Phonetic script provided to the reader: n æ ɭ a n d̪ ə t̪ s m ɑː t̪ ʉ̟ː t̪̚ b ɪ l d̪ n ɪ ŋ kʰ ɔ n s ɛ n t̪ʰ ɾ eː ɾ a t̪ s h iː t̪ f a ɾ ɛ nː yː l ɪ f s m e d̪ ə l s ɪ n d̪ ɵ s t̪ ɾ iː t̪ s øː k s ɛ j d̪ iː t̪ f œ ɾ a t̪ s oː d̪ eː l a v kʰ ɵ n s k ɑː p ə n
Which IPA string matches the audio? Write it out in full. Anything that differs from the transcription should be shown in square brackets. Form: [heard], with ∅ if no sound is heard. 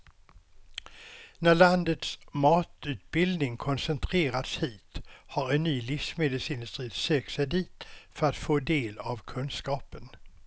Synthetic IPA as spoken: n æ ɭ a n d̪ ə t̪ s m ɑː t̪ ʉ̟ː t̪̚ b ɪ l d̪ n ɪ ŋ kʰ ɔ n s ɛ n t̪ʰ ɾ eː ɾ a t̪ s h iː t̪ [h] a ɾ ɛ nː yː l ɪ f s m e d̪ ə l s ɪ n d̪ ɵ s t̪ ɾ iː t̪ s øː k s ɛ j d̪ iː t̪ f œ ɾ a t̪ [f] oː d̪ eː l a v kʰ ɵ n s k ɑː p ə n

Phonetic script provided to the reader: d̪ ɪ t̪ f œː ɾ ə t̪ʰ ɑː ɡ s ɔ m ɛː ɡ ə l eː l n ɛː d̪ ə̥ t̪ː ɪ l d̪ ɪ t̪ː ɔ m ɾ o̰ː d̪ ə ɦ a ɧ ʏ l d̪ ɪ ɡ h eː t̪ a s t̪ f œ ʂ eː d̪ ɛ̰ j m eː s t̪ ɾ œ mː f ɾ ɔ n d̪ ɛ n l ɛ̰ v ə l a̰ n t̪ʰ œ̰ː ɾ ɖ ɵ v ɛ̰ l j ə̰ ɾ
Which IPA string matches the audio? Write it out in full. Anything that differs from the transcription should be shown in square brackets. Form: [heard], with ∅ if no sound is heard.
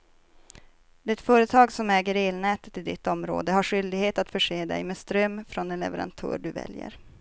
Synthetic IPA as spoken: d̪ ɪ t̪ f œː ɾ ə t̪ʰ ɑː ɡ s ɔ m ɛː ɡ ə [ɾ] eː l n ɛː [t̪] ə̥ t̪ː ɪ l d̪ ɪ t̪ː ɔ m ɾ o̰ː d̪ ə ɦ a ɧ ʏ l d̪ ɪ ɡ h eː t̪ a [∅] t̪ f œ ʂ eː d̪ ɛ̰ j m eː s t̪ ɾ œ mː f ɾ ɔ n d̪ ɛ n l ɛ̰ v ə [ɾ] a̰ n t̪ʰ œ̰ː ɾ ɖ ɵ v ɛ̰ l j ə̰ ɾ

